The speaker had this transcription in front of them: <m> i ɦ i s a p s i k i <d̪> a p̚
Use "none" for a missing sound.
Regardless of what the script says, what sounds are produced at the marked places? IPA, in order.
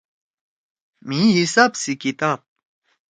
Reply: m, t̪

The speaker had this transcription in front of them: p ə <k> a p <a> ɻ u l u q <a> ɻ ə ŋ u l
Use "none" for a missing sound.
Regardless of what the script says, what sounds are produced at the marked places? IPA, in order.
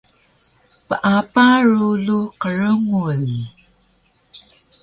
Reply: ʔ, a, ə

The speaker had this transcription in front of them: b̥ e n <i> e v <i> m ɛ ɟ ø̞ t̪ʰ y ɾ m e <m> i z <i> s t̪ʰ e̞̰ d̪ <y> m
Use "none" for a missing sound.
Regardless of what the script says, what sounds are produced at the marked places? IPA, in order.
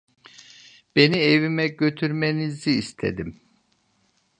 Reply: i, i, n, iː, i

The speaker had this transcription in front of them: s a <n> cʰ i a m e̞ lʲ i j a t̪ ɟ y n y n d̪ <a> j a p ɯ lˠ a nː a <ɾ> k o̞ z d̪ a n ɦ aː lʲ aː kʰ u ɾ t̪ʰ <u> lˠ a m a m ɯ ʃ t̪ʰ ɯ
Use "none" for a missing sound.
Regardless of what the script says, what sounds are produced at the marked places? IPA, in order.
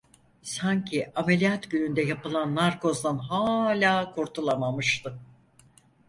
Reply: ɲ, ɛ, ɾ, u

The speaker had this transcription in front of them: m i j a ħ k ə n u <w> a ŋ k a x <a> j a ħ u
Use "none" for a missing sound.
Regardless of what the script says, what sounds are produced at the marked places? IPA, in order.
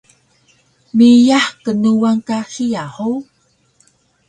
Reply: w, i

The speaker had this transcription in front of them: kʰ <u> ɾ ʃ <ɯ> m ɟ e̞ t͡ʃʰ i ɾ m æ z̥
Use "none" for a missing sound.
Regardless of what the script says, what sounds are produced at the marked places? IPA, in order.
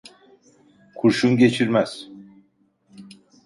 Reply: u, u

